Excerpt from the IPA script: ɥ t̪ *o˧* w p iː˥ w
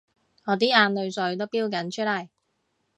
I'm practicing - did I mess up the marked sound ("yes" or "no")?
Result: yes